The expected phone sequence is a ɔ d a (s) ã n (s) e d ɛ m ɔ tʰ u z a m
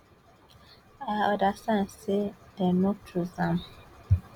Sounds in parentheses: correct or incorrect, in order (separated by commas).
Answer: correct, correct